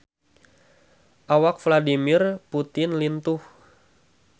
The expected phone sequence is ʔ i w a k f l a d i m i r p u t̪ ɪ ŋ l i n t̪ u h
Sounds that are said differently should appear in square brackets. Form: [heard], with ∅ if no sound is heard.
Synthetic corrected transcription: ʔ [a] w a k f l a d i m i r p u t̪ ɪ [n] l i n t̪ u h